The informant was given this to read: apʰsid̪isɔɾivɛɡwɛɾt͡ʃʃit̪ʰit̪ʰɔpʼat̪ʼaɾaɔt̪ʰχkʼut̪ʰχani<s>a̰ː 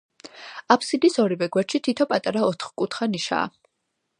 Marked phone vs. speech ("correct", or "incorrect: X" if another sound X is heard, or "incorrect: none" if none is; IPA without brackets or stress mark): incorrect: ʃ